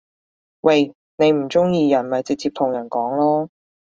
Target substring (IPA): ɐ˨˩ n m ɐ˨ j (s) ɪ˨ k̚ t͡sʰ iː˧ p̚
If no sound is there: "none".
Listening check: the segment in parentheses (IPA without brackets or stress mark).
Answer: t͡s